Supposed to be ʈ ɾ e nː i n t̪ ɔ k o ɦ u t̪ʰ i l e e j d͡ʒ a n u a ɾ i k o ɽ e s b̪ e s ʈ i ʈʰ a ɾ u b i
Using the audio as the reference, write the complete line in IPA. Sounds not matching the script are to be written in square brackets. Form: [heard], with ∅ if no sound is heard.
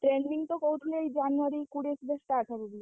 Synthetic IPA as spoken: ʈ ɾ e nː i [ŋ] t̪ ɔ k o ɦ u t̪ʰ i l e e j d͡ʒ a n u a ɾ i k [u] ɽ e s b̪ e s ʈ [a] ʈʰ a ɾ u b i